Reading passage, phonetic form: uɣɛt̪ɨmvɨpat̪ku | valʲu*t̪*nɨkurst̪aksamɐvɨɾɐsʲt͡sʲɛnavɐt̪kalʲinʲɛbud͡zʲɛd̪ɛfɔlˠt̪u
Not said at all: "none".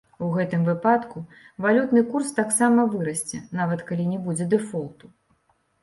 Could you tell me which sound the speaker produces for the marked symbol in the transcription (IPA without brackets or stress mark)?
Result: t̪